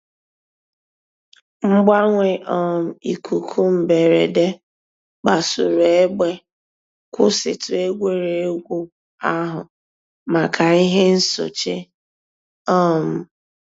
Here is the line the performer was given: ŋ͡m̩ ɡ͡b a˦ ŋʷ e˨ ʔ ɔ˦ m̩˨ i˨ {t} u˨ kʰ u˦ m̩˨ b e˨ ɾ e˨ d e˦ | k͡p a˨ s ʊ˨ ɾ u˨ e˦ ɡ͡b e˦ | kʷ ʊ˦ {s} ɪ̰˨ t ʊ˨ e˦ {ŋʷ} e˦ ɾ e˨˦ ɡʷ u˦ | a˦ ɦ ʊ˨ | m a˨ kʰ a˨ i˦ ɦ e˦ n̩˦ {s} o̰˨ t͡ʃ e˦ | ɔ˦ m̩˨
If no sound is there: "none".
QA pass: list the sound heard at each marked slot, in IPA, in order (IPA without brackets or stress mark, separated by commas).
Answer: k, s, ɡʷ, s